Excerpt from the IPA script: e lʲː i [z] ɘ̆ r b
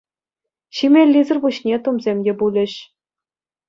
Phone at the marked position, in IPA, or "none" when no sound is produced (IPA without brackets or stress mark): z